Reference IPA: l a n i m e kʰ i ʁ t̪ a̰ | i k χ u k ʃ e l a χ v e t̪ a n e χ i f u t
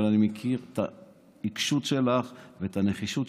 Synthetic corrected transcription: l a n i m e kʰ i ʁ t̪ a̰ | i k ʃ u t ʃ e l a χ v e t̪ a n e χ i ʃ u t